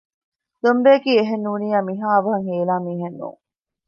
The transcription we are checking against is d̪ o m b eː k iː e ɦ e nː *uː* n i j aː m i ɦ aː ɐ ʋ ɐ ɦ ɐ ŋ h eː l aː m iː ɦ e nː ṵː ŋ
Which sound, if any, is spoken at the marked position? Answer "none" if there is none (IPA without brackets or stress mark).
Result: uː